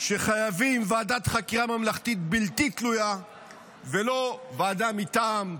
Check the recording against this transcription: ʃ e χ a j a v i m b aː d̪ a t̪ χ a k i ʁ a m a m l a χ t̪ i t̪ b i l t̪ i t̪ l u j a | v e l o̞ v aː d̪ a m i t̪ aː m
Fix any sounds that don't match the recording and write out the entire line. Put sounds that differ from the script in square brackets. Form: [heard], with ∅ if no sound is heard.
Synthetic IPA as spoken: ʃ e χ a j a v i m [v] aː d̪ a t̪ χ a k i ʁ a m a m l a χ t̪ i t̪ b i l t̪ i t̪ l u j a | v e l o̞ v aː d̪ a m i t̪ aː m